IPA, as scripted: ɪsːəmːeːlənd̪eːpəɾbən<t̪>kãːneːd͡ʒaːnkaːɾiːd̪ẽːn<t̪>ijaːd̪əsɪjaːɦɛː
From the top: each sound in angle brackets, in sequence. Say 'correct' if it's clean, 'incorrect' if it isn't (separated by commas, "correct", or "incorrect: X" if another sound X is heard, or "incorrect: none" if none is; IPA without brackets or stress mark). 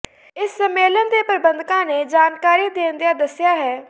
incorrect: d̪, incorrect: d̪